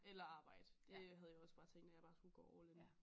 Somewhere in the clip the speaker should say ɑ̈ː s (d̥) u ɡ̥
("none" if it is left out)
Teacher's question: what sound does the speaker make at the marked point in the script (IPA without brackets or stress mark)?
ɡ̥